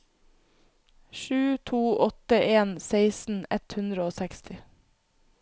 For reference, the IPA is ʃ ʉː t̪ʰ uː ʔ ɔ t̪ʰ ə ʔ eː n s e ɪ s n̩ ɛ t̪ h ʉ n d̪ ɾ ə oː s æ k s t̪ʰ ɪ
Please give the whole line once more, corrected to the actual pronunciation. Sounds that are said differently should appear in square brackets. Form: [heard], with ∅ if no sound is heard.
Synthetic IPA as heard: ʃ ʉː t̪ʰ uː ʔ ɔ [t̪] ə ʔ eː n s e ɪ s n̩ ɛ t̪ h ʉ n d̪ ɾ ə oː s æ k s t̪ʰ ɪ